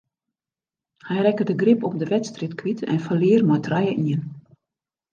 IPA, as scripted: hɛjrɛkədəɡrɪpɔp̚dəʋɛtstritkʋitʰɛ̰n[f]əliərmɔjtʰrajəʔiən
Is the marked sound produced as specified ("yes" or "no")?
yes